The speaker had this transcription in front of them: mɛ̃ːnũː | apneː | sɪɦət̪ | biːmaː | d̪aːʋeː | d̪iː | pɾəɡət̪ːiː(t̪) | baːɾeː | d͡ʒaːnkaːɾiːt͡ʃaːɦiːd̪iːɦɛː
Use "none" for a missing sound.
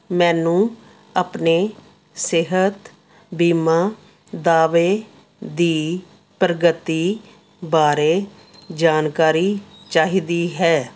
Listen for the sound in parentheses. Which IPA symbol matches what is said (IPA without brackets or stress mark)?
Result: none